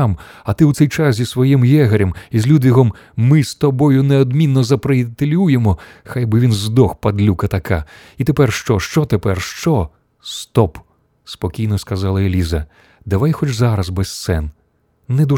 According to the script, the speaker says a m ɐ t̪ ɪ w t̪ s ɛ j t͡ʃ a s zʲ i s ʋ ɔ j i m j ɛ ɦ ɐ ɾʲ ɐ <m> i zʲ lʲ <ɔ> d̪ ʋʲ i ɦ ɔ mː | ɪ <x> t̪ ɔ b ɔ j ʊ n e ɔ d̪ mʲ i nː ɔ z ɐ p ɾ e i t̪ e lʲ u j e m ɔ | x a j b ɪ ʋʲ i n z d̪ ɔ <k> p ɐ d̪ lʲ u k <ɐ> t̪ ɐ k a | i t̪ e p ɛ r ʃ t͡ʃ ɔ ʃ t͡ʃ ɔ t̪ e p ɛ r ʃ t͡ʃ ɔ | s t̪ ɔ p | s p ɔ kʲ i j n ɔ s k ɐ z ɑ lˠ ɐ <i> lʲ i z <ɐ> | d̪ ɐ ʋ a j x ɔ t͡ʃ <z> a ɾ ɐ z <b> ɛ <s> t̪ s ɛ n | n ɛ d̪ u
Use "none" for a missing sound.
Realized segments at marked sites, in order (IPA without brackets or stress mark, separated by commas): m, u, s, x, ɐ, e, ɐ, z, b, s